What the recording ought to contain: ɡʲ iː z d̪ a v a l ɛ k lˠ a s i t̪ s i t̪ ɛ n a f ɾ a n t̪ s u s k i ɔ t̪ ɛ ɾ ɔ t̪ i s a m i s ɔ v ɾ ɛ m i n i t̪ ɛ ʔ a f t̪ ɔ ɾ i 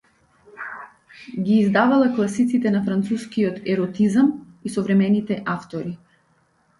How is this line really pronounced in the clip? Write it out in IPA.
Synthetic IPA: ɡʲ iː z d̪ a v a l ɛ k lˠ a s i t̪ s i t̪ ɛ n a f ɾ a n t̪ s u s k i ɔ t̪ ɛ ɾ ɔ t̪ i z a m i s ɔ v ɾ ɛ m ɛ n i t̪ ɛ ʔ a f t̪ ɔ ɾ i